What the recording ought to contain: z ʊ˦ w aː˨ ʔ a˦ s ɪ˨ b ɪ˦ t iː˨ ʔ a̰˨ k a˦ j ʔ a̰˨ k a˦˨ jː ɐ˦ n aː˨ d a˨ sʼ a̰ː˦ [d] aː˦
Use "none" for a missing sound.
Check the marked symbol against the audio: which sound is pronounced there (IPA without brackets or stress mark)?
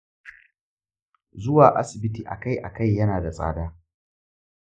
d